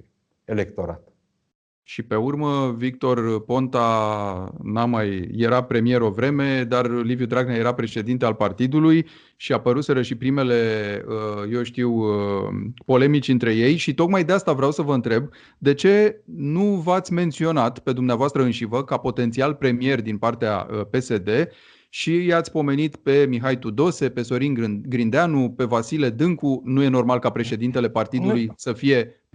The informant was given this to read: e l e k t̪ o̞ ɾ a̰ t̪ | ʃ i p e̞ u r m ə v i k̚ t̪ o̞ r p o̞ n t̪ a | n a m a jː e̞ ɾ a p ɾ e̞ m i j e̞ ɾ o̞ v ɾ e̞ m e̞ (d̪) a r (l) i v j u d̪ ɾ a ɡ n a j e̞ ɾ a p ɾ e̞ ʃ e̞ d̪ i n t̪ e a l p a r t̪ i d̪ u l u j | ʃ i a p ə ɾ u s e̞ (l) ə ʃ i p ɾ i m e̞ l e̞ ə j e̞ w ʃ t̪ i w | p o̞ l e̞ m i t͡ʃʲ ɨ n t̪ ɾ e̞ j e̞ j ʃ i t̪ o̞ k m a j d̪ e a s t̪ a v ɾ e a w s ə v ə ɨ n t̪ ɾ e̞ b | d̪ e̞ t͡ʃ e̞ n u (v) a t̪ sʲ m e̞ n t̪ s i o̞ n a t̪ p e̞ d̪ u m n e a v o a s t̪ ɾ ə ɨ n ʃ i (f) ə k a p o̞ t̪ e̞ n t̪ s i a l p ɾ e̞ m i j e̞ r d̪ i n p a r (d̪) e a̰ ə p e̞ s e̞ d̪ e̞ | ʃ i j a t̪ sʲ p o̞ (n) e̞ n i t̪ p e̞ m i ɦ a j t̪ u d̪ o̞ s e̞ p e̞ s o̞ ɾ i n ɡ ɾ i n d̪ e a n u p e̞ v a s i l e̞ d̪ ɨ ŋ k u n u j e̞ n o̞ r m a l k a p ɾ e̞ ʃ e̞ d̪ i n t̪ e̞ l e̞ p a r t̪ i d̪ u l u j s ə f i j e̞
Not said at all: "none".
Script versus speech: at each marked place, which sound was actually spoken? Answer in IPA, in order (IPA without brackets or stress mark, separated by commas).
d̪, l, ɾ, v, v, t̪, m